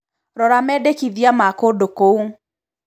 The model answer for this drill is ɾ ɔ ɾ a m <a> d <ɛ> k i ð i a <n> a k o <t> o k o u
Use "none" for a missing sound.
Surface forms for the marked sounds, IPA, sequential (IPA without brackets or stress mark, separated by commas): ɛ, e, m, d